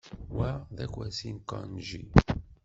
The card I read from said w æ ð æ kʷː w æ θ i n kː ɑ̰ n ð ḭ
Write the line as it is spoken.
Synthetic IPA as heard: w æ ð æ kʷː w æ s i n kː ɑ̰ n ʒ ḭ